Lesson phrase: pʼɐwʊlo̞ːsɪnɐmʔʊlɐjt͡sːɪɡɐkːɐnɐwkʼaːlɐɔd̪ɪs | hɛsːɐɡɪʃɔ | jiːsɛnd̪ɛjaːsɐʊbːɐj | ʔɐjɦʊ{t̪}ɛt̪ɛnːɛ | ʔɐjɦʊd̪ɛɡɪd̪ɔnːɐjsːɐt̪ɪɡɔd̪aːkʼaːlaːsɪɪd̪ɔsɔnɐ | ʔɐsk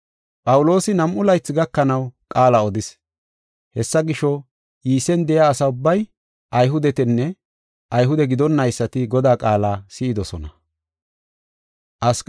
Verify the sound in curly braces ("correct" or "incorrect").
incorrect